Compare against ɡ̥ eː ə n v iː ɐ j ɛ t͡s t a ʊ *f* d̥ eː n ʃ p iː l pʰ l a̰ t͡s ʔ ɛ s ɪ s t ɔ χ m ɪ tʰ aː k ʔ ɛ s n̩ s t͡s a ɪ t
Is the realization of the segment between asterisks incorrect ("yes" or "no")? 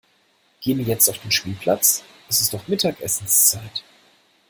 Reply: no